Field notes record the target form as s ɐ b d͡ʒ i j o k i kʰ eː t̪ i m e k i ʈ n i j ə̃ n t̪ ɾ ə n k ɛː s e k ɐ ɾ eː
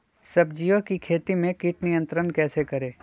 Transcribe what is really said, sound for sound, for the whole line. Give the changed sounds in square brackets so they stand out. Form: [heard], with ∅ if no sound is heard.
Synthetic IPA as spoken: s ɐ b d͡ʒ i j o k i kʰ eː t̪ i m [ẽ] k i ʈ n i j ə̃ n t̪ ɾ ə n k ɛː s e k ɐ ɾ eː